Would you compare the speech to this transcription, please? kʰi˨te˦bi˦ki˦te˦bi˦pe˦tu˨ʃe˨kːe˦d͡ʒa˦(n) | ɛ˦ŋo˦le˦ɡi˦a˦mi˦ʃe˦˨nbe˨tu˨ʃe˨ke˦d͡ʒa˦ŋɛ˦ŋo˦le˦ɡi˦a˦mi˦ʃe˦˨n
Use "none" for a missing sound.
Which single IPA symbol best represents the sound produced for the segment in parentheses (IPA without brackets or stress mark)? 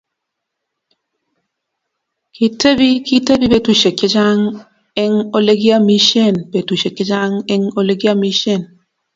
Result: ŋ